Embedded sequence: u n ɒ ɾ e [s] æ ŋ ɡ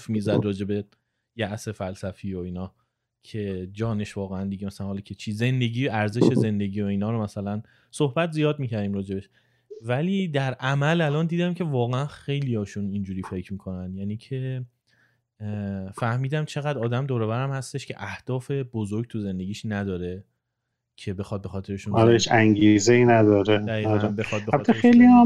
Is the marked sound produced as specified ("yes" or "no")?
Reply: no